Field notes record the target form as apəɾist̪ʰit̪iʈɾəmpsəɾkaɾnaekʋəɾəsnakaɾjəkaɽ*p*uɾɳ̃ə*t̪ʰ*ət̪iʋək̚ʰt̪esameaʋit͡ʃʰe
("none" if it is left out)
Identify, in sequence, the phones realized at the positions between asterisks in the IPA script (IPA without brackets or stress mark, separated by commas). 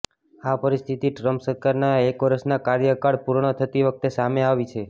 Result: p, t̪ʰ